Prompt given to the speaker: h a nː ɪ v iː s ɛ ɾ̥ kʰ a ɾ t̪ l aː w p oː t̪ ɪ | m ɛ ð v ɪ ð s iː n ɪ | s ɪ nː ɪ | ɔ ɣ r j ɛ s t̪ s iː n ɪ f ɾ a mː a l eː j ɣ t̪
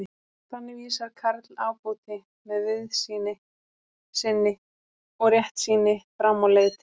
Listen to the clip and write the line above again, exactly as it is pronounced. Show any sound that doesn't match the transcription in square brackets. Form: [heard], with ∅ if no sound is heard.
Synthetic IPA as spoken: [θ] a nː ɪ v iː s [a] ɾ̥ kʰ a ɾ t̪ l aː w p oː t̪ ɪ | m ɛ ð v ɪ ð s iː n ɪ | s ɪ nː ɪ | ɔ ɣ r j ɛ [h] t̪ s iː n ɪ f ɾ a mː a l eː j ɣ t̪